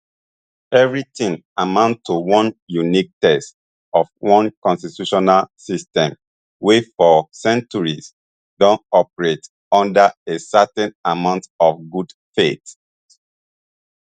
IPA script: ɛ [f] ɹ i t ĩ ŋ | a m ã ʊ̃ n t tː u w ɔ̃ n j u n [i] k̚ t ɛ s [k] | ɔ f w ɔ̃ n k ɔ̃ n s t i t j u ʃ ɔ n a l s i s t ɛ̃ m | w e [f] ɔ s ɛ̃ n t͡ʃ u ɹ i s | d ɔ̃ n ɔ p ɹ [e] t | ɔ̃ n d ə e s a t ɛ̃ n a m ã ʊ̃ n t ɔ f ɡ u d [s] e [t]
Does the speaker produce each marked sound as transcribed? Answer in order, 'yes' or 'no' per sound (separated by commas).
no, yes, no, yes, yes, no, yes